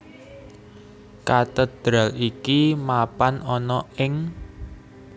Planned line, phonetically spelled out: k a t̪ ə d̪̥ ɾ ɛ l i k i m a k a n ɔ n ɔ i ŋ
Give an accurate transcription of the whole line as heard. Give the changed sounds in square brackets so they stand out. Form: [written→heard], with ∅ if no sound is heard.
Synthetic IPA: k a t̪ ə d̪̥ ɾ [ɛ→a] l i k i m a [k→p] a n ɔ n ɔ [i→ɪ] ŋ